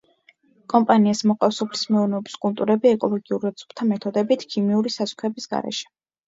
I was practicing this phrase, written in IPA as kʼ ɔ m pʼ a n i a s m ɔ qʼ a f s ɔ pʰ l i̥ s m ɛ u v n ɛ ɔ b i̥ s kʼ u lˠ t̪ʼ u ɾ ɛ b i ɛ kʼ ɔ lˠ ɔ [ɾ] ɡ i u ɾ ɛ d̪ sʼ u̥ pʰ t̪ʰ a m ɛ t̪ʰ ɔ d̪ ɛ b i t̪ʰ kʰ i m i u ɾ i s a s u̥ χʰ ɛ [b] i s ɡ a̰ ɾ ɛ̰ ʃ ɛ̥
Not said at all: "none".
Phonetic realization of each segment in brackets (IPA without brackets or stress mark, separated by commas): none, b